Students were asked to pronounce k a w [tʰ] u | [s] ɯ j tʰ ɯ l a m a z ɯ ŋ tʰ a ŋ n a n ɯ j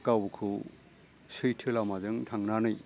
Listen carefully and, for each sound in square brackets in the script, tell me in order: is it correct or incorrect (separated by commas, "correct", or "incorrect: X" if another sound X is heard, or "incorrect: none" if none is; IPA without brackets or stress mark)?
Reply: incorrect: kʰ, correct